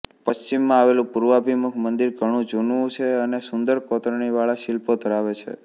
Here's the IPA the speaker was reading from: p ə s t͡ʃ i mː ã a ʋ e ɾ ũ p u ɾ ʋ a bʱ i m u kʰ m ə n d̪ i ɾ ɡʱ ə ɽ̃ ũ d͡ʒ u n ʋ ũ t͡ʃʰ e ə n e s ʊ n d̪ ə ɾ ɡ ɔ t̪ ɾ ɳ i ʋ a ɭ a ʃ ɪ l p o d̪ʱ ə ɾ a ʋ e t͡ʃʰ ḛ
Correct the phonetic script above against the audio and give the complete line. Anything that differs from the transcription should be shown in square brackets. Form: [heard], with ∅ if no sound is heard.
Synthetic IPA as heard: p ə s t͡ʃ i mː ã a ʋ e [l] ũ p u ɾ ʋ a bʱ i m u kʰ m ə n d̪ i ɾ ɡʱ ə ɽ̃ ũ d͡ʒ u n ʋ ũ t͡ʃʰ e ə n e s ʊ n d̪ ə ɾ [k] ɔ t̪ ɾ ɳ i ʋ a ɭ a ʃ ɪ l p o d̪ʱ ə ɾ a ʋ e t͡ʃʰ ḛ